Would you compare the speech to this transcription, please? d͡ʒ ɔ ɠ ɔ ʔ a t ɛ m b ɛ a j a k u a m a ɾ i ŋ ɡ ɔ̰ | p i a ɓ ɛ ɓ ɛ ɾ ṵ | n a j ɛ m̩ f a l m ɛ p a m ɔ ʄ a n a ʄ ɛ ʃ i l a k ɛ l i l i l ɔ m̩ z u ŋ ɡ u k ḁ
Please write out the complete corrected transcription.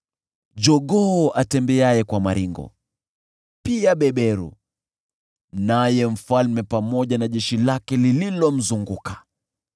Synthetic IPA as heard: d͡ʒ ɔ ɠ ɔ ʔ a t ɛ m b ɛ a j ɛ k w a m a ɾ i ŋ ɡ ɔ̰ | p i a ɓ ɛ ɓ ɛ ɾ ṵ | n a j ɛ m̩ f a l m ɛ p a m ɔ ʄ a n a ʄ ɛ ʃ i l a k ɛ l i l i l ɔ m̩ z u ŋ ɡ u k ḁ